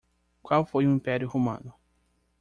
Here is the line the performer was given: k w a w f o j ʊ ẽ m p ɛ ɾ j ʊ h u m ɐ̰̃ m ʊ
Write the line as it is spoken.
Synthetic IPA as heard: k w a w f o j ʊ ĩ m p ɛ ɾ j ʊ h o m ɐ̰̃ n ʊ